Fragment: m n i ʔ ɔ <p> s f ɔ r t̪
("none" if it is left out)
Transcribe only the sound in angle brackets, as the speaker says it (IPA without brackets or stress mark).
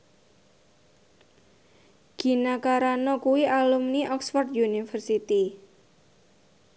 k